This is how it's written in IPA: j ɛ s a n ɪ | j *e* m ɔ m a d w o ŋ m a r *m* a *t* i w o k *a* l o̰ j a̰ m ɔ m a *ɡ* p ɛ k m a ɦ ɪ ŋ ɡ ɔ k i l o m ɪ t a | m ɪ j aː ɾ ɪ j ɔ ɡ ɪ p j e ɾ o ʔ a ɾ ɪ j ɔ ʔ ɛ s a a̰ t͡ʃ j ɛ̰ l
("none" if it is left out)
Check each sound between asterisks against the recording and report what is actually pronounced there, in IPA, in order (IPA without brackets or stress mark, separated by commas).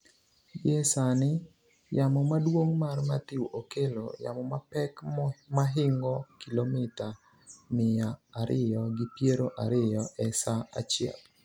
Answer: a, m, t, e, none